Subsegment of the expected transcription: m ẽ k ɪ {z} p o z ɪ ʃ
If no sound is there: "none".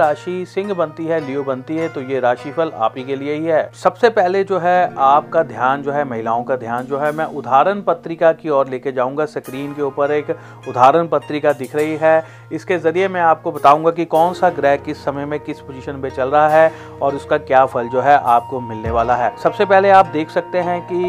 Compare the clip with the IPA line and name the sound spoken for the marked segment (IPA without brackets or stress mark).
s